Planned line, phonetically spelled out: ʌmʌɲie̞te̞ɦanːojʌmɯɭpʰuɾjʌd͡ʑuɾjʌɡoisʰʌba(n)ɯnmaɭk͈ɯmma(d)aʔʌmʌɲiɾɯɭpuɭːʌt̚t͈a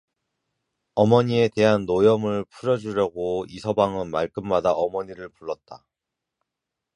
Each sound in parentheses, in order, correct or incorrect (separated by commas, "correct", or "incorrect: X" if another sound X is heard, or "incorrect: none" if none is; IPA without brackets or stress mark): incorrect: ŋ, correct